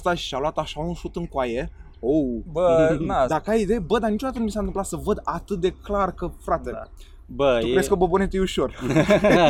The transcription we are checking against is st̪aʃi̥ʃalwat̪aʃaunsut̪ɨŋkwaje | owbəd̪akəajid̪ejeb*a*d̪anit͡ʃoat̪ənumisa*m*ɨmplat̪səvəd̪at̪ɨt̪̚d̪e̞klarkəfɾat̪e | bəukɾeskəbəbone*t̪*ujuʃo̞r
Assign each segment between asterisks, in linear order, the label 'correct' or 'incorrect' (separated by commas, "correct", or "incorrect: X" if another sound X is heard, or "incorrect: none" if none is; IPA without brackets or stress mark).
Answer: incorrect: ə, incorrect: n, correct